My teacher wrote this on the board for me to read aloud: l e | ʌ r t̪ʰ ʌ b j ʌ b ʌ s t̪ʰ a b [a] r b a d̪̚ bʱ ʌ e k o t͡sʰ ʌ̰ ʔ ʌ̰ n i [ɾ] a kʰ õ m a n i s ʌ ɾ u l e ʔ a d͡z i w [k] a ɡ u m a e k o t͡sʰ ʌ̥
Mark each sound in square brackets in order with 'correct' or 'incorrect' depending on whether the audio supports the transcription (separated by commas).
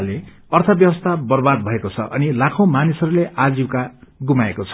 incorrect, incorrect, correct